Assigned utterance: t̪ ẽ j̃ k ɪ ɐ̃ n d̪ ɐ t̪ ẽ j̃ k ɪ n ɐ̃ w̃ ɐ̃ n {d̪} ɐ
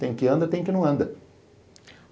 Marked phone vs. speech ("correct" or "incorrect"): correct